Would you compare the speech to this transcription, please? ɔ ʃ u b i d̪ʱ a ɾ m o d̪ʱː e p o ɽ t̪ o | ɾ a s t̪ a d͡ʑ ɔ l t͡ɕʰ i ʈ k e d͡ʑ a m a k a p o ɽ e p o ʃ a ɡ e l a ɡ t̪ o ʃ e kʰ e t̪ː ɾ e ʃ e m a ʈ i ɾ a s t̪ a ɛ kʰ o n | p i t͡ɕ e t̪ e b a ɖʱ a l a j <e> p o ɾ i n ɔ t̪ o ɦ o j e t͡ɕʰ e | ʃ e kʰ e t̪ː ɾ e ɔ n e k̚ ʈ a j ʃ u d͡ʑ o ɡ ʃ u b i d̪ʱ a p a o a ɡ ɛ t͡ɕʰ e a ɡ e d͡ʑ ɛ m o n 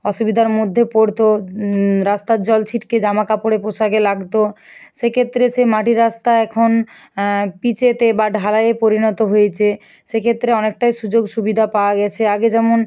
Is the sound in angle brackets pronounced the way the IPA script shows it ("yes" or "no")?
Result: yes